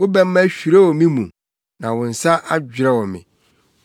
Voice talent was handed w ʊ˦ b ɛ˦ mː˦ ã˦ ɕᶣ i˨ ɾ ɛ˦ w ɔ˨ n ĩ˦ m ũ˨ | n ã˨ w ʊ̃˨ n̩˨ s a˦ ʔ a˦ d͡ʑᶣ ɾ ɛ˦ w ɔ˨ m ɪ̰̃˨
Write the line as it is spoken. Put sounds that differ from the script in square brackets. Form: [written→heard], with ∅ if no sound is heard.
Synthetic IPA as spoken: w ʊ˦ b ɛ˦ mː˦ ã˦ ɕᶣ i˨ ɾ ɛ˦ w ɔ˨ [n→m] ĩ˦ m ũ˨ | n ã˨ w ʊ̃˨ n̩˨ s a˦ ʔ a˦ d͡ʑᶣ ɾ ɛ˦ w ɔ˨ m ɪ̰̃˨

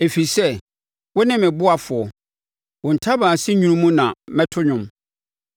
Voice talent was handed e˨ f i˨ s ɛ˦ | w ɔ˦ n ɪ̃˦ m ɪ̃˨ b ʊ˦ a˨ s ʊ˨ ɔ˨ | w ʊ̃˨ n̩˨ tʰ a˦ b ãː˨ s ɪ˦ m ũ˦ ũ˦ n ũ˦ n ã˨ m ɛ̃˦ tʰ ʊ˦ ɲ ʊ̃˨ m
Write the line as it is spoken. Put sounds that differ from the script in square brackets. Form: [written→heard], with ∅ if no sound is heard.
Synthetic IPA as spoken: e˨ f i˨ s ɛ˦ | w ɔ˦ n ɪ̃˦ m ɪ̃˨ b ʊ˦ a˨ [s→f] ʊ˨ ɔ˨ | w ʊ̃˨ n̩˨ tʰ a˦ b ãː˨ s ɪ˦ [m→ɲ] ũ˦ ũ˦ [n→m] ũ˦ n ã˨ m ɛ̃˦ tʰ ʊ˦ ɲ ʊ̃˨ m

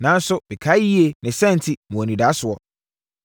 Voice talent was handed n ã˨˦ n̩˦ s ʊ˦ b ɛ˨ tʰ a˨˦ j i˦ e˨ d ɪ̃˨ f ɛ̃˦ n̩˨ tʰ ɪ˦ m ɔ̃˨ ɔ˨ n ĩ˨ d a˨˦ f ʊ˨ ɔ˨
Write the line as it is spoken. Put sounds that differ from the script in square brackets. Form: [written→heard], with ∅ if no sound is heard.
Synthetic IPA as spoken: n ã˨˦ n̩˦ s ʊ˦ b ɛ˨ [tʰ→kʰ] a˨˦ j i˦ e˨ [d→n] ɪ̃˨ [f→s] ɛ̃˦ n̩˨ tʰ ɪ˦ m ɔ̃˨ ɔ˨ n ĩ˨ d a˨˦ [f→s] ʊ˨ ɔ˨

